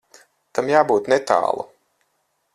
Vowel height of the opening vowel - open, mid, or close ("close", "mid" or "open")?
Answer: open